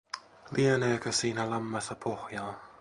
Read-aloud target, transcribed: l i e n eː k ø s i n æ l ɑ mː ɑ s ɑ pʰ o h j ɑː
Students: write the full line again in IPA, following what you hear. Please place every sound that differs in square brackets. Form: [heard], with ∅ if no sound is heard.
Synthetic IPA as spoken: l i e n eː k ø s [iː] n æ l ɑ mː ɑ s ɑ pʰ o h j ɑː

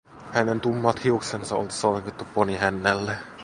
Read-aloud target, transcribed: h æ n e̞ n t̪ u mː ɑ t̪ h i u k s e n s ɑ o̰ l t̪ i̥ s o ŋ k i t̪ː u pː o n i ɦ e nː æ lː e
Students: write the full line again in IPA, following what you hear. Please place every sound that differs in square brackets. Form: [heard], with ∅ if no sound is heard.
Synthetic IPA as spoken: h æ n e̞ n t̪ u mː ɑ t̪ h i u k s e n s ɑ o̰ l t̪ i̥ s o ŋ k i t̪ː u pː o n i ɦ [æ] nː æ lː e

